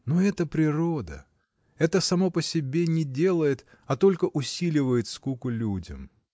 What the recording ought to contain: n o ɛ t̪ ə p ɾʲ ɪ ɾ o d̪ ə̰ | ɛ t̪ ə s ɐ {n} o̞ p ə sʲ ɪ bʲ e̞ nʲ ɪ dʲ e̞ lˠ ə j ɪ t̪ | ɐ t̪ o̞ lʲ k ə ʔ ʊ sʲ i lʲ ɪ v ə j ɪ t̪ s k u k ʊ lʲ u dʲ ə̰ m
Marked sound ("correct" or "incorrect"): incorrect